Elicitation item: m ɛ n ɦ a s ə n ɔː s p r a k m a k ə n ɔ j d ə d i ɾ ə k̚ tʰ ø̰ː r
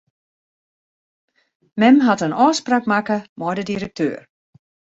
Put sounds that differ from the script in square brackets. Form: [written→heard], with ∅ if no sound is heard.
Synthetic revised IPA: m ɛ [n→m] ɦ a [s→t] ə n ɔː s p r a k m a k ə [n→m] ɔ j d ə d i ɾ ə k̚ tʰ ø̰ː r